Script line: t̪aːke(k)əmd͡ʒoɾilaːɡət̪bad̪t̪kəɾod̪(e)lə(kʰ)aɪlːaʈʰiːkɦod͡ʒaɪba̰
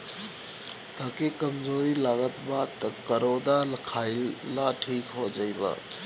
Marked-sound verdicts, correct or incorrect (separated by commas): correct, incorrect, correct